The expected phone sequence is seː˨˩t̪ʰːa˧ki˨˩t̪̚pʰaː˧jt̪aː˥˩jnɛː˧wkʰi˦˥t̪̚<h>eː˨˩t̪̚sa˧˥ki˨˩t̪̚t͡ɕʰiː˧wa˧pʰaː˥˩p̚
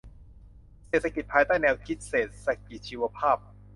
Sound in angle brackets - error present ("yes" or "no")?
yes